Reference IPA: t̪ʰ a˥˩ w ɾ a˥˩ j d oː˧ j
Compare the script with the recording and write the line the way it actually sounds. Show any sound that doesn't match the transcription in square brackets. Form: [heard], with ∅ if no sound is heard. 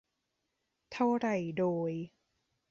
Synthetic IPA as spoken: t̪ʰ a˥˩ w ɾ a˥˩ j d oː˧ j